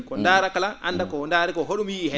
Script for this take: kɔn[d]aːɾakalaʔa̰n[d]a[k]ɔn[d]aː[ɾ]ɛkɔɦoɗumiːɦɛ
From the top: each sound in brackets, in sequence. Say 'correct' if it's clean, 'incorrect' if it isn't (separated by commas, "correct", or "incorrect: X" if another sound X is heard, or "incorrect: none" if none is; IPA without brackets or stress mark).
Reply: correct, correct, correct, correct, correct